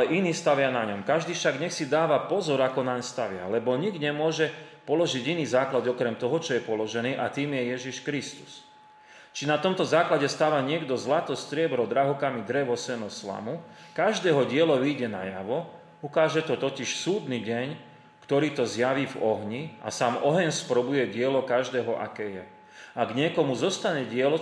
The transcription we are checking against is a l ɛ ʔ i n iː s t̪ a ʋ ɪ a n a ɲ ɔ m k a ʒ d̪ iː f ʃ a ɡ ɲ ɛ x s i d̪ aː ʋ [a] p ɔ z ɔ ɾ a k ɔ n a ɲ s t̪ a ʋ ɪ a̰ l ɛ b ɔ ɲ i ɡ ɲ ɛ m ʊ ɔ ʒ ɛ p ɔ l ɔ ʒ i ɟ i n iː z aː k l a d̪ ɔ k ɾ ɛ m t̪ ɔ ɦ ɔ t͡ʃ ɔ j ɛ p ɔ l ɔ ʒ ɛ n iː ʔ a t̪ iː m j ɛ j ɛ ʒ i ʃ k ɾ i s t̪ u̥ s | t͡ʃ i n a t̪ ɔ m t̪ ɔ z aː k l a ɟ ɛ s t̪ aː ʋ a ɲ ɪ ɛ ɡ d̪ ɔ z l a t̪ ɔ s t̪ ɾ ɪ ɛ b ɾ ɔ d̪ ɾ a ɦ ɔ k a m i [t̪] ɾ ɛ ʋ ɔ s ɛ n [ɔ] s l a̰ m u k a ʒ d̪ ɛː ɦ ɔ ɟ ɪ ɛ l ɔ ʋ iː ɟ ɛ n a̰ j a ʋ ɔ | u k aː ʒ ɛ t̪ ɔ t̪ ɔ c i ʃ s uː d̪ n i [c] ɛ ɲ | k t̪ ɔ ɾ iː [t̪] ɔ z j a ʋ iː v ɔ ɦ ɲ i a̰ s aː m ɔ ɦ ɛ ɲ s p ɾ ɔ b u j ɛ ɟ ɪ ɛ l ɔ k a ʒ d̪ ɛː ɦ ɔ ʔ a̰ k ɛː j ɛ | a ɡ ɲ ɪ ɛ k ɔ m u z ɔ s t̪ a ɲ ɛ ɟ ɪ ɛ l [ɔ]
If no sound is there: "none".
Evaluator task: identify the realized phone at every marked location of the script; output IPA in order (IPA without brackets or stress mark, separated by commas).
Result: a, d̪, ɔ, ɟ, t̪, ɔ